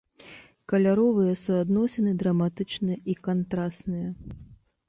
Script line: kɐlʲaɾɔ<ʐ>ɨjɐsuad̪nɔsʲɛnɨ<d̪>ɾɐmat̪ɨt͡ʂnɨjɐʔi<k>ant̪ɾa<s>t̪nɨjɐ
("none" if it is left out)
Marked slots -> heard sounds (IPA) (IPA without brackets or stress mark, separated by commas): v, d̪, k, s